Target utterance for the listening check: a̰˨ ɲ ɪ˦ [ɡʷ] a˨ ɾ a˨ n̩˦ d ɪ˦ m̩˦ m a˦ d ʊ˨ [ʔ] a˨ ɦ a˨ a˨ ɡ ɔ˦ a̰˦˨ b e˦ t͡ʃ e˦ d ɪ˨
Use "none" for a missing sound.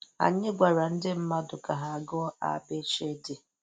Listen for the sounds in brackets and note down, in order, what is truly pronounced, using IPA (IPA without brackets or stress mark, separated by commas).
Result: ɡʷ, k